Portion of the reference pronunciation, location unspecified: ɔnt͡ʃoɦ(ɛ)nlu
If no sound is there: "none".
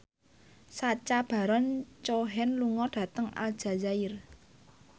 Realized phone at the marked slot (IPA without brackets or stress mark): ɛ